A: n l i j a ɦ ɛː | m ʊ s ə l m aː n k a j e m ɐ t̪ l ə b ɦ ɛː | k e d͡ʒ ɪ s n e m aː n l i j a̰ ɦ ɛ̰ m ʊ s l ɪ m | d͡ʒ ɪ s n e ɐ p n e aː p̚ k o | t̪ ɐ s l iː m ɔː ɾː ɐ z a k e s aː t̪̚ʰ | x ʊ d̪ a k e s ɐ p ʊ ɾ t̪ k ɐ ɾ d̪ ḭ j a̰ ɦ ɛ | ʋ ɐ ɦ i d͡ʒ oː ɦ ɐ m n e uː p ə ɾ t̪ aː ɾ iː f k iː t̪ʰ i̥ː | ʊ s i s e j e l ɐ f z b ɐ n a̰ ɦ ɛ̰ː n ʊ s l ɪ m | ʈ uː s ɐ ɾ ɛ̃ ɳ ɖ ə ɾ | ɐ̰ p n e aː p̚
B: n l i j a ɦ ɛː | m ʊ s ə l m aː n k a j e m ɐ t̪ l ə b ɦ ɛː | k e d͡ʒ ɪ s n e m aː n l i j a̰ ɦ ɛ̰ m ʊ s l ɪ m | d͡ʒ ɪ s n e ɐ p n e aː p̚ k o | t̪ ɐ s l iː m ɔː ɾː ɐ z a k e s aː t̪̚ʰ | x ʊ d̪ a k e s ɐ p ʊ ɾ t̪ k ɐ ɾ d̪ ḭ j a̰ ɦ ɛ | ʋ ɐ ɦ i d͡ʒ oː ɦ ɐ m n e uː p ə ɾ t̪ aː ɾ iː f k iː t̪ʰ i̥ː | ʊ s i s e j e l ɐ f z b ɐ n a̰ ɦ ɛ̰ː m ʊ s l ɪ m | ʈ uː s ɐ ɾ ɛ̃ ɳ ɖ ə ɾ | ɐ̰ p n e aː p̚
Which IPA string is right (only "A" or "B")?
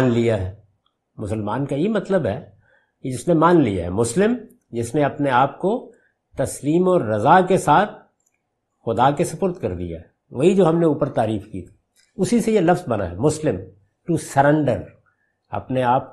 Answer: B